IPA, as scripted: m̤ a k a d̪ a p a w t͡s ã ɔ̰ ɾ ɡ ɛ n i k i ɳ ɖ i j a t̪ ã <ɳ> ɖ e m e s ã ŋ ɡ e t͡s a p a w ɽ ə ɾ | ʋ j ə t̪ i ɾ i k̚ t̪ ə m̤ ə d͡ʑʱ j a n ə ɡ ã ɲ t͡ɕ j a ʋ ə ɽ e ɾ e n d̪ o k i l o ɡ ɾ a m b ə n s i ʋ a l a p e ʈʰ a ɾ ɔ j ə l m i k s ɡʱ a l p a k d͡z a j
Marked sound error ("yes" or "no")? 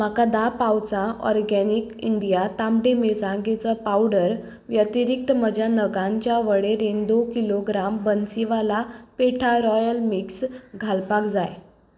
yes